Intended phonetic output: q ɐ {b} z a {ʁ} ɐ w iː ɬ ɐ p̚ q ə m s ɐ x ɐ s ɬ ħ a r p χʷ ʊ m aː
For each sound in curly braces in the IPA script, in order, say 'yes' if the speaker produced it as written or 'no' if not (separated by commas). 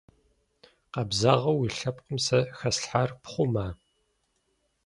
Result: yes, yes